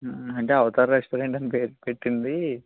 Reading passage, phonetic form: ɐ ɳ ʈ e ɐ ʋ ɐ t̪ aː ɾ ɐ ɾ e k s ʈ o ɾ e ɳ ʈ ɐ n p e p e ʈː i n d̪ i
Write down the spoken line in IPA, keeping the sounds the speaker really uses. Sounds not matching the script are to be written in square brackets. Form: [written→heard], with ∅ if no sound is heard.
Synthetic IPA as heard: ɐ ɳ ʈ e ɐ ʋ ɐ t̪ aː ɾ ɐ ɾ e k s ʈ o ɾ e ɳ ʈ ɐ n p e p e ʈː i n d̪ i